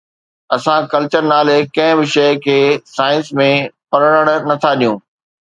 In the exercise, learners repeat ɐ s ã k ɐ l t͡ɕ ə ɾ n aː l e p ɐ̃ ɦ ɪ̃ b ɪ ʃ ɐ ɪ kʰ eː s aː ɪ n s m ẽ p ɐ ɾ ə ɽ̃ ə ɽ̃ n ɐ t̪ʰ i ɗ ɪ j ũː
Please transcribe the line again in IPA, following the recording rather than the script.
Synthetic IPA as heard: ɐ s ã k ɐ l t͡ɕ ə ɾ n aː l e k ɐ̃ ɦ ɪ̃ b ɪ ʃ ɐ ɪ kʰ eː s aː ɪ n s m ẽ p ɐ ɾ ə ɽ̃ ə ɽ̃ n ɐ t̪ʰ a ɗ i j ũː

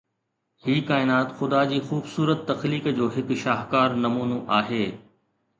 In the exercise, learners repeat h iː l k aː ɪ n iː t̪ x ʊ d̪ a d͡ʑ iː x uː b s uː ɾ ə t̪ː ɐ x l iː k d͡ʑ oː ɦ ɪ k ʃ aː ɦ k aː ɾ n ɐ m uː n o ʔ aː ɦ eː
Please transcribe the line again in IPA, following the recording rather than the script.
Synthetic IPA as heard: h iː k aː ɪ n aː t̪ x ʊ d̪ a d͡ʑ iː x uː b s uː ɾ ə t̪ː ɐ x l iː k d͡ʑ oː ɦ ɪ k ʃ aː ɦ k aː ɾ n ɐ m uː n o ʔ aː ɦ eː

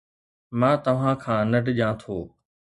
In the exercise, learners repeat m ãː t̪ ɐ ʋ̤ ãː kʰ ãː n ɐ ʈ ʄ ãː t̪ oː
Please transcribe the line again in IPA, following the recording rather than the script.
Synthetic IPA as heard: m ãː t̪ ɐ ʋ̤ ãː kʰ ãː n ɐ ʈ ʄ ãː t̪ʰ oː

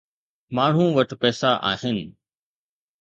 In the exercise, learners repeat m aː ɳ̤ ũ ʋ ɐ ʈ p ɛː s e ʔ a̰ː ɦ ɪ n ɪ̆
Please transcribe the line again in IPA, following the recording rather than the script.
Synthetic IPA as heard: m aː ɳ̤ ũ ʋ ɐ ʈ p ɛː s a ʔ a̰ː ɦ ɪ n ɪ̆

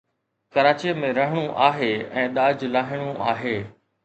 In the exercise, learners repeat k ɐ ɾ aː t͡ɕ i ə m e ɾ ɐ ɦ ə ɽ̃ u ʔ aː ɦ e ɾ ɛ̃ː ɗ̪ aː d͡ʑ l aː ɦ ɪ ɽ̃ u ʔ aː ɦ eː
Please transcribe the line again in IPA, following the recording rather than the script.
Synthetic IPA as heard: k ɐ ɾ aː t͡ɕ i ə m ẽ ɾ ɐ ɦ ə ɽ̃ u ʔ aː ɦ e ɛ̃ː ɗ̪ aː d͡ʑ l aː ɦ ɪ ɽ̃ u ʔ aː ɦ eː

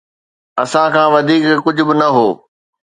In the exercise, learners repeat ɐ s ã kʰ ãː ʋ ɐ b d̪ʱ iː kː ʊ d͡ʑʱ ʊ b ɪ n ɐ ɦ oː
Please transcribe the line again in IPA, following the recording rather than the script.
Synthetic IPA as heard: ɐ s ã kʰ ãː ʋ ɐ d̪ʱ iː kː ʊ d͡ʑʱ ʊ b ɪ n ɐ ɦ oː

